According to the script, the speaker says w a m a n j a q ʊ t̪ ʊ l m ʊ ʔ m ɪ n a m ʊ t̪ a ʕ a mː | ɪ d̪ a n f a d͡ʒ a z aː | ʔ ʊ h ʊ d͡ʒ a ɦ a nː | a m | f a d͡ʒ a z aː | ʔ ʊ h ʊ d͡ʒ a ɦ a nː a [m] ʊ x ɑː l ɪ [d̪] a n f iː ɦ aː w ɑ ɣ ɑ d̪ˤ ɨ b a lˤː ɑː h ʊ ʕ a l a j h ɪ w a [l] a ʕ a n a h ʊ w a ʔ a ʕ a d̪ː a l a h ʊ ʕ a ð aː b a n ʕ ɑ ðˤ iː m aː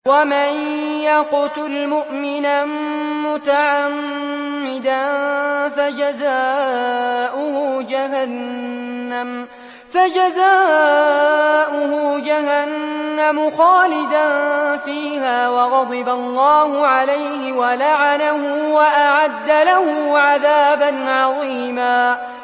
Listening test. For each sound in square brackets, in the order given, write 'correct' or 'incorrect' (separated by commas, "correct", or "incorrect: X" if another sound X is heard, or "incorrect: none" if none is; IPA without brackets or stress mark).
correct, correct, correct